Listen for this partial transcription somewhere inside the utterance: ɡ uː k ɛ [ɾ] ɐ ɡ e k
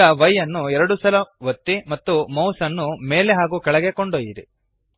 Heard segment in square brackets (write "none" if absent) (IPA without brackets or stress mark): ɭ